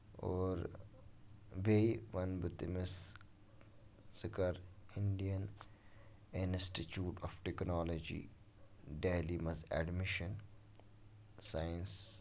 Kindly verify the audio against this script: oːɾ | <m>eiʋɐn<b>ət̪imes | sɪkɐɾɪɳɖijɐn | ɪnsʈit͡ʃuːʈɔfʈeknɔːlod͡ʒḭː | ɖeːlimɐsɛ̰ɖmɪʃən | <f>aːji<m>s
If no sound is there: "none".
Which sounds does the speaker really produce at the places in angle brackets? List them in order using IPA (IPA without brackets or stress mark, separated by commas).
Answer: b, b, s, n